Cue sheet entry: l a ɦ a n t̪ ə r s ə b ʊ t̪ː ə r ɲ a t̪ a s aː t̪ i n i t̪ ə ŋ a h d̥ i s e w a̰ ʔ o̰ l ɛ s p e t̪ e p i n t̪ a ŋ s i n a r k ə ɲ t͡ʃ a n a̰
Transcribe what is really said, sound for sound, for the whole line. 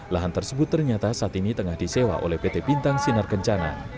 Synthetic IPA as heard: l a ɦ a n t̪ ə r s ə b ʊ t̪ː ə r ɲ a t̪ a s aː t̪ i n i t̪ ə ŋ a h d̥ i s e w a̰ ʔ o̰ l ɛ h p e t̪ e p i n t̪ a ŋ s i n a r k ə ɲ t͡ʃ a n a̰